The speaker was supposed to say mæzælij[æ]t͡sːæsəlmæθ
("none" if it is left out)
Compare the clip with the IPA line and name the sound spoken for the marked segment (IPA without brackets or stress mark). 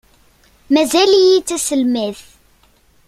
i